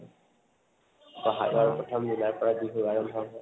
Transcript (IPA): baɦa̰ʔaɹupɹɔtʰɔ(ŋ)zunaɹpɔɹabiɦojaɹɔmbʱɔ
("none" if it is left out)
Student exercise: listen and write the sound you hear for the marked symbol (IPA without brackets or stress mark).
m